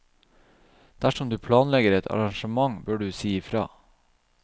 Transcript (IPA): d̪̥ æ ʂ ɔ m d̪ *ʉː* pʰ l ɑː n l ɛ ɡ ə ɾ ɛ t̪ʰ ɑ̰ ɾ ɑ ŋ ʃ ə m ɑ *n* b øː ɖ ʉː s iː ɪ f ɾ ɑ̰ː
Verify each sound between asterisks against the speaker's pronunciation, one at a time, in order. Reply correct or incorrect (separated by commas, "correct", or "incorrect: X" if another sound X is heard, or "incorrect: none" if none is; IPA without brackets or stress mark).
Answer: correct, incorrect: ŋ